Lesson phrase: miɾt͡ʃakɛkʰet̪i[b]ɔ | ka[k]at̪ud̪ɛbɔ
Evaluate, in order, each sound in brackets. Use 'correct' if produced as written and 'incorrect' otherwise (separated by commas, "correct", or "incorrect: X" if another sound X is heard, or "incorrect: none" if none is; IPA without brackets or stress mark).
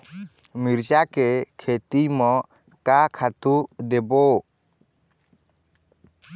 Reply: incorrect: m, incorrect: kʰ